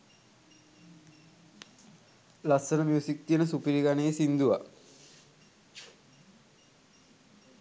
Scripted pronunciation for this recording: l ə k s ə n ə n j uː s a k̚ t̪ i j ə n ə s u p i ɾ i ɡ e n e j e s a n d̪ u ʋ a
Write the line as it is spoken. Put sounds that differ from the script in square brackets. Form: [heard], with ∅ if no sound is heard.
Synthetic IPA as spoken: l [a] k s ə n ə [m] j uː s [i] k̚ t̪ i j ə n ə s u p i ɾ i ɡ [a] n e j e s [i] n d̪ u ʋ a